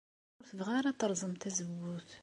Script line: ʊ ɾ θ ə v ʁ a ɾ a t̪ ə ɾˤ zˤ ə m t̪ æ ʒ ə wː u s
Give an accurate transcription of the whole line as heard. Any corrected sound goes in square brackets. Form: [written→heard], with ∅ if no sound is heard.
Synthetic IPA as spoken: ʊ ɾ θ ə v ʁ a ɾ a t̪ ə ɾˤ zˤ ə m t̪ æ [ʒ→z] ə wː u [s→θ]